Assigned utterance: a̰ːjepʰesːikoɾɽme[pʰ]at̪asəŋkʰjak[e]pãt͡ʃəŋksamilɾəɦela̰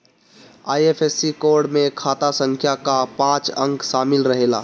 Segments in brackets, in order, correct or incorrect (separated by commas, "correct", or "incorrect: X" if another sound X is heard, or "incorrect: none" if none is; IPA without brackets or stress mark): incorrect: kʰ, incorrect: a